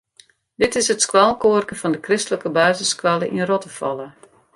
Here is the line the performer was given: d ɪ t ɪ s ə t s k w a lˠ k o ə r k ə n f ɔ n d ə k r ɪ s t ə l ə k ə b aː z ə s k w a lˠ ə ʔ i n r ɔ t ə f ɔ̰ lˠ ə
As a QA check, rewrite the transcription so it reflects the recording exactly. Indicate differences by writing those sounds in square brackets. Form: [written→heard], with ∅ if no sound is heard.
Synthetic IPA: d ɪ t ɪ s ə t s k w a lˠ k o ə r k ə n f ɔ n d ə k r ɪ s t ə l ə k ə b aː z ə s k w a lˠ ə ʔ i n r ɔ t ə f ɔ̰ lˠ ə